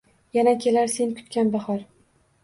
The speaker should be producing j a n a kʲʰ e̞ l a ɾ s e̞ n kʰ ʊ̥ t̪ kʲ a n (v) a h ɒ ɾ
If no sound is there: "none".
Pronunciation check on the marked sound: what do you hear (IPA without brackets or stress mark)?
b